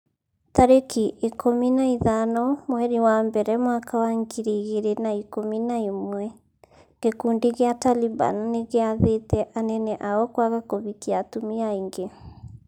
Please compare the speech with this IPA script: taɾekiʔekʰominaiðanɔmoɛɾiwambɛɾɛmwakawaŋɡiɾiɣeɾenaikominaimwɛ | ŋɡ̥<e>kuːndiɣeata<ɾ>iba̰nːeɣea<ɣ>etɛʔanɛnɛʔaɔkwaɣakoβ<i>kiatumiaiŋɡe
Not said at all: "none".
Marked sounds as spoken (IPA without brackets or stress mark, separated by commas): e, l, ð, i